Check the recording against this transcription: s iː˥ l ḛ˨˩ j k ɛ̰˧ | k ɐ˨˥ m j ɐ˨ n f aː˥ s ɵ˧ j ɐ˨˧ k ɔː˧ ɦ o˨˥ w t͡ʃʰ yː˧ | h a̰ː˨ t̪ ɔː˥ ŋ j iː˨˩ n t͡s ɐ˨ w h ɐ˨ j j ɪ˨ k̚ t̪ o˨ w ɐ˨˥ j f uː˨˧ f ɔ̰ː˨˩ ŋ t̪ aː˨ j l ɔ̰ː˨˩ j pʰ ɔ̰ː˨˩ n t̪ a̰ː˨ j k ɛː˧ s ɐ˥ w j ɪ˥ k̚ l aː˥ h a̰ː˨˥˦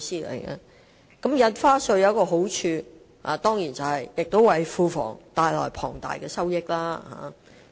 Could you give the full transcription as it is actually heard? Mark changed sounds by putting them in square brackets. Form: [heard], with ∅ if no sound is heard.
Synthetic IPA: s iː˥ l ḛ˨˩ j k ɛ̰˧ | k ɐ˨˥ m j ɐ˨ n f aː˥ s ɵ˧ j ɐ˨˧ k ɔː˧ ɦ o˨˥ w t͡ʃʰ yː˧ | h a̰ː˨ t̪ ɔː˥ ŋ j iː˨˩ n t͡s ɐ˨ w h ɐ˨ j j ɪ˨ k̚ t̪ [o˥] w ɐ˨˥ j f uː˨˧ f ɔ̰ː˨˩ ŋ t̪ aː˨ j l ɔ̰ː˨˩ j pʰ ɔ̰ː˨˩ [ŋ] t̪ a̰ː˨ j k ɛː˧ s ɐ˥ w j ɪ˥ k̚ l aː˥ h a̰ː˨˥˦